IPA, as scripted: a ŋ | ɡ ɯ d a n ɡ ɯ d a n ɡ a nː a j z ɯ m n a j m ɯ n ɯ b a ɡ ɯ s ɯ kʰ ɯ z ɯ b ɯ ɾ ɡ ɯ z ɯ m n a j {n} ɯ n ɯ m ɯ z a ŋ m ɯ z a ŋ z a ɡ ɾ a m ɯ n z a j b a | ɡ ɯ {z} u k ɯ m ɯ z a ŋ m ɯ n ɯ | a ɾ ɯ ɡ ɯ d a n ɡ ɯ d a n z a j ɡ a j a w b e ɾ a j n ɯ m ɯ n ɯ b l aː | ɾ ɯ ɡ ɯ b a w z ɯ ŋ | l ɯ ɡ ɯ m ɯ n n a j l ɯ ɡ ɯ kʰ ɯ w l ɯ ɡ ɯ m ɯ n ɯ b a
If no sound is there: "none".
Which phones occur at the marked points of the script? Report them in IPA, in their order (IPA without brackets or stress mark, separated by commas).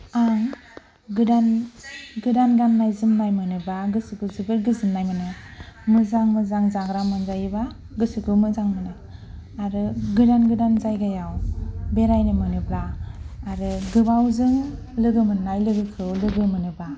m, s